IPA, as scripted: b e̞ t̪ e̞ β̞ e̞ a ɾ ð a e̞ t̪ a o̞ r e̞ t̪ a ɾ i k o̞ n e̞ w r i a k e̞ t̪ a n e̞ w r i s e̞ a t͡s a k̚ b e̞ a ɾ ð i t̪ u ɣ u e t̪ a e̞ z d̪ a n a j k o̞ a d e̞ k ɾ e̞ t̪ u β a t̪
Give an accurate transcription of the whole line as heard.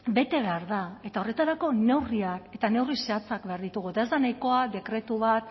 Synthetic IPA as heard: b e̞ t̪ e̞ β̞ e̞ a ɾ ð a e̞ t̪ a o̞ r e̞ t̪ a ɾ a k o̞ n e̞ w r i a k e̞ t̪ a n e̞ w r i s e̞ a t͡s a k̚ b e̞ a ɾ ð i t̪ u ɣ u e t̪ a e̞ z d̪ a n a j k o̞ a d e̞ k ɾ e̞ t̪ u β a t̪